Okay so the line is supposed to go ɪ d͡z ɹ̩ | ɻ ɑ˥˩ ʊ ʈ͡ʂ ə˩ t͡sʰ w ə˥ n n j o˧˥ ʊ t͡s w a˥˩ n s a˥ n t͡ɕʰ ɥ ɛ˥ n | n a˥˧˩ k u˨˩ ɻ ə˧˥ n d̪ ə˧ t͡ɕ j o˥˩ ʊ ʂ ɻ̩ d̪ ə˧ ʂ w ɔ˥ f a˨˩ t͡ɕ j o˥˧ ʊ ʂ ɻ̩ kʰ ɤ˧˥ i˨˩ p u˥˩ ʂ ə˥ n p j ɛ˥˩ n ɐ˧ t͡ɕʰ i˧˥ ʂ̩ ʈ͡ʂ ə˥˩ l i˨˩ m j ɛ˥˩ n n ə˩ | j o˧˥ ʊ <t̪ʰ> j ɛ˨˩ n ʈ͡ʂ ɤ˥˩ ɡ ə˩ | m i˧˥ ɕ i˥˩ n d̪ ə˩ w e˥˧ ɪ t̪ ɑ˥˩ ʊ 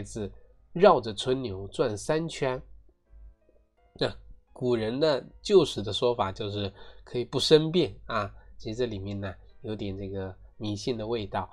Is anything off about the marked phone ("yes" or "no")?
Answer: yes